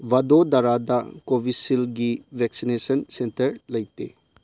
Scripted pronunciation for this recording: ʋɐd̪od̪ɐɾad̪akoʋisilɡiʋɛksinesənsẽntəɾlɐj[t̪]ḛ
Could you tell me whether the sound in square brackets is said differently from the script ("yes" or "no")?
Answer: no